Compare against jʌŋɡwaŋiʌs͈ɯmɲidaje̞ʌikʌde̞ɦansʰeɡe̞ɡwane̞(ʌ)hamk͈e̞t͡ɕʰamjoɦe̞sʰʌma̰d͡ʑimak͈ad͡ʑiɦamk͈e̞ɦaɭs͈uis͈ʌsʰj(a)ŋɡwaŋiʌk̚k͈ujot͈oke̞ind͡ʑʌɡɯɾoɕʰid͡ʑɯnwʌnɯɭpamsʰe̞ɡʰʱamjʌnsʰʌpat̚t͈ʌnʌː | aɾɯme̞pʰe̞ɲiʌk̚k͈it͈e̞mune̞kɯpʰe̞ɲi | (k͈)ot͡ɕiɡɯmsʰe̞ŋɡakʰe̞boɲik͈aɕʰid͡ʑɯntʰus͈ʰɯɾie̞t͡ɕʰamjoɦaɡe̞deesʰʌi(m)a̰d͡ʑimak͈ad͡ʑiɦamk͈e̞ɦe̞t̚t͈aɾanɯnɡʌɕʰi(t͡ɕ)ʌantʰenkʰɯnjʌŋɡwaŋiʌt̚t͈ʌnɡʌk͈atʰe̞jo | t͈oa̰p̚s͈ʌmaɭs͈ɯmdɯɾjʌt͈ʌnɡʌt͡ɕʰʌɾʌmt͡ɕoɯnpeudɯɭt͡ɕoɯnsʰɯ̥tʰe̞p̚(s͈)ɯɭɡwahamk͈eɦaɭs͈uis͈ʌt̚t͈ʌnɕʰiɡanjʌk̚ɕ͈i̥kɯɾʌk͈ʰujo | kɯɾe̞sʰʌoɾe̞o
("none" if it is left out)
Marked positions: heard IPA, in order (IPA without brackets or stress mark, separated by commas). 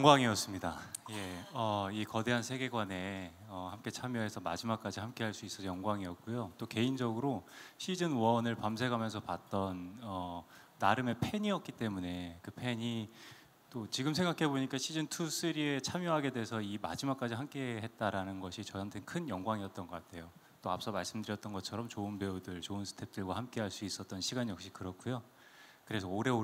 ʌ, ʌ, t͈, m, t͡ɕ, t͈